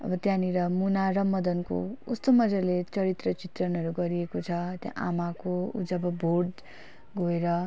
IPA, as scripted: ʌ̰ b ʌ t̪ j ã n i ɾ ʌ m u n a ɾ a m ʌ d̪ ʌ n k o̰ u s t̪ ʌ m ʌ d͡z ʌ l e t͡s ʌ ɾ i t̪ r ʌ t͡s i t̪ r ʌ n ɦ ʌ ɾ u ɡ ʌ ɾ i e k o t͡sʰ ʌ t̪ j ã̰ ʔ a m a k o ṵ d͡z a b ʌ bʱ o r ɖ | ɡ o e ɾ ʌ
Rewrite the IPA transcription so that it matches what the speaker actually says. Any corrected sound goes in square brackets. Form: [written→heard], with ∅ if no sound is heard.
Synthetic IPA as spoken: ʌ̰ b ʌ t̪ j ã n i ɾ ʌ m u n a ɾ [a→ʌ] m ʌ d̪ ʌ n k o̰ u s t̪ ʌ m ʌ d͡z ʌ l e t͡s ʌ ɾ i t̪ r ʌ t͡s i t̪ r ʌ n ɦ ʌ ɾ u ɡ ʌ ɾ i e k o t͡sʰ ʌ t̪ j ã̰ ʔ a m a k o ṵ d͡z [a→ʌ] b ʌ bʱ o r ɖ | ɡ o e ɾ ʌ